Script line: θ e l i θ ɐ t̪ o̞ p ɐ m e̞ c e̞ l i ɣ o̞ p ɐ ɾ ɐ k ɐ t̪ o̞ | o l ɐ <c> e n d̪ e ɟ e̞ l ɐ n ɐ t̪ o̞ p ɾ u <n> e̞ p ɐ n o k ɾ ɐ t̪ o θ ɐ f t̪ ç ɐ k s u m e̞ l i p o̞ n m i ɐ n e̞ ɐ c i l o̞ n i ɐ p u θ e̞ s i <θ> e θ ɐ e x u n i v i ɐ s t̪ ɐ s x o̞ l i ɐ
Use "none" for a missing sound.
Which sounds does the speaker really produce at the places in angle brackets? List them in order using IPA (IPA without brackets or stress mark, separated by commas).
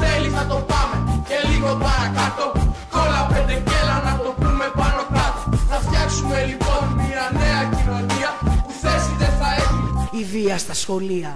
p, m, ð